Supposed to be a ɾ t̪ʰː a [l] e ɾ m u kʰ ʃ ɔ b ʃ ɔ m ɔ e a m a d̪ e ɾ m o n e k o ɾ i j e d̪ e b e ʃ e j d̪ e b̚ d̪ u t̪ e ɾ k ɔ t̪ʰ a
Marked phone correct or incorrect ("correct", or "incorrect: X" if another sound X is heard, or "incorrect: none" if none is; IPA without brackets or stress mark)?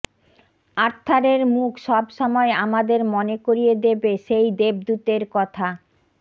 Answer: incorrect: ɾ